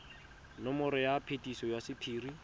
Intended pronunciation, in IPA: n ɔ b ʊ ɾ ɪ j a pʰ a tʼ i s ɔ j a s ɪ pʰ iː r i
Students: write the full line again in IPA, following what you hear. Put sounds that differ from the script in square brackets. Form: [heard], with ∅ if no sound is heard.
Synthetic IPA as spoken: n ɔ [m] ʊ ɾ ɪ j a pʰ [e] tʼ i s ɔ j a s ɪ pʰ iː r i